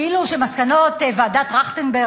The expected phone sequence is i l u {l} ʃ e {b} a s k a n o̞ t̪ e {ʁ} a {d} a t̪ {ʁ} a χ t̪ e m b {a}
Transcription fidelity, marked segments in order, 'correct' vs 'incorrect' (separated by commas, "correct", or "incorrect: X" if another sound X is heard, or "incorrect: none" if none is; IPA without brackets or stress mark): incorrect: none, incorrect: m, incorrect: v, correct, correct, incorrect: e